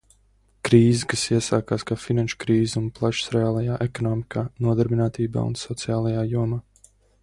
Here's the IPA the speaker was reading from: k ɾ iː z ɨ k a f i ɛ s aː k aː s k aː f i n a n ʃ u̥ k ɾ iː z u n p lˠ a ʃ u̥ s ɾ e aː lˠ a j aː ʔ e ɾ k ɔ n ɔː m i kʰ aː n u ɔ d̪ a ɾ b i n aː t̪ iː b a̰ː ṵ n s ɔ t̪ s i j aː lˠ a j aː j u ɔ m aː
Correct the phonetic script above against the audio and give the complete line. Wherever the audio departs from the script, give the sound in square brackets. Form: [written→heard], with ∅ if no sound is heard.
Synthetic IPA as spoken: k ɾ iː z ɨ k a [f→s] i ɛ s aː k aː s k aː f i n a n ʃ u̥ k ɾ iː z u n p lˠ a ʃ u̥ s ɾ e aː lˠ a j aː ʔ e [ɾ→∅] k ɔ n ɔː m i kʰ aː n u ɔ d̪ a ɾ b i n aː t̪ iː b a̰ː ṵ n s ɔ t̪ s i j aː lˠ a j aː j u ɔ m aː